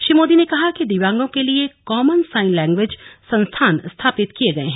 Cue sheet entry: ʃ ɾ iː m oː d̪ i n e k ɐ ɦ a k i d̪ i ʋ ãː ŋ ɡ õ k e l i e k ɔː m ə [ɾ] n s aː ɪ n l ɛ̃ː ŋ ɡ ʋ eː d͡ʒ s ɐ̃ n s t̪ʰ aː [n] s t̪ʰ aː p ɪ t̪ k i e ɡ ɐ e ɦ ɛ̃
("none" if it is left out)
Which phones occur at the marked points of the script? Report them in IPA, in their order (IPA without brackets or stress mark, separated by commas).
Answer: none, n